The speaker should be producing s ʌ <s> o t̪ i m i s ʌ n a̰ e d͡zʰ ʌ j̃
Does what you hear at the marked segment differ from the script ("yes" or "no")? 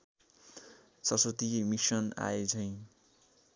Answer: no